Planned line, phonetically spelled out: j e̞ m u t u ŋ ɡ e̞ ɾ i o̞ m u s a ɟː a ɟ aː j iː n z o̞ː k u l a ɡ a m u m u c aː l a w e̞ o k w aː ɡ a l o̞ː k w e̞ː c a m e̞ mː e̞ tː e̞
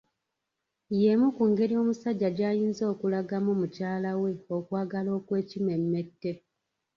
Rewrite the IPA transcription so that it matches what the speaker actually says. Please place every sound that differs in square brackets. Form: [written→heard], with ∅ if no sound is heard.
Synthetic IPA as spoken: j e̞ m u [t→k] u ŋ ɡ e̞ ɾ i o̞ m u s a ɟː a ɟ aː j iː n z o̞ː k u l a ɡ a m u m u c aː l a w e̞ o k w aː ɡ a l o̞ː k w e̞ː c [a→i] m e̞ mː e̞ tː e̞